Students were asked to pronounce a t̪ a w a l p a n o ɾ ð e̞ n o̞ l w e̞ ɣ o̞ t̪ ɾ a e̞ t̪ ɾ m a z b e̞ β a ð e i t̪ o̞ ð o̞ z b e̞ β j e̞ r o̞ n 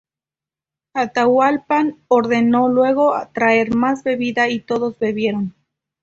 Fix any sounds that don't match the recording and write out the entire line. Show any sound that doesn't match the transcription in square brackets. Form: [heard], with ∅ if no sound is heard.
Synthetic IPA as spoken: a t̪ a w a l p a n o ɾ ð e̞ n o̞ l w e̞ ɣ o̞ t̪ ɾ a e̞ [∅] ɾ m a z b e̞ β [i] ð [a] i t̪ o̞ ð o̞ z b e̞ β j e̞ [ɾ] o̞ n